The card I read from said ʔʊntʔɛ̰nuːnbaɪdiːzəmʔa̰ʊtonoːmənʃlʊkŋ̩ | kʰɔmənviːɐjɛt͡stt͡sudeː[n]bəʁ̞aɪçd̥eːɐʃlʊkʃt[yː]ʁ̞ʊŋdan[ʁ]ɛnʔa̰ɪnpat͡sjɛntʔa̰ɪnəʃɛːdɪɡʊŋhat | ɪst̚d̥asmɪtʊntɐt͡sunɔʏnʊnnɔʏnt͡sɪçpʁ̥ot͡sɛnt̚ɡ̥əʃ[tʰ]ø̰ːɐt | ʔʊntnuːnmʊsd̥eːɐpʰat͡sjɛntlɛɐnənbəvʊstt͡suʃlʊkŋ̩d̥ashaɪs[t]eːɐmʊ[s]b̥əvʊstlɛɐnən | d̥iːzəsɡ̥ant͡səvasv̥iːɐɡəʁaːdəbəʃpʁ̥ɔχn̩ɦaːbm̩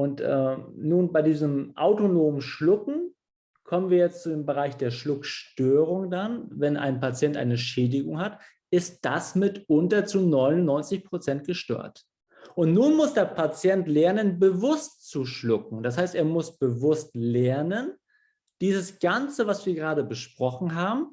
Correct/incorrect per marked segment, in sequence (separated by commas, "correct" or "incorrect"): incorrect, incorrect, incorrect, incorrect, correct, correct